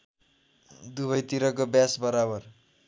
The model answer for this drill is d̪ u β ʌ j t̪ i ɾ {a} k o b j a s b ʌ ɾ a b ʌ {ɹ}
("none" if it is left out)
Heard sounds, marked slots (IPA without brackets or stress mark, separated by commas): ʌ, r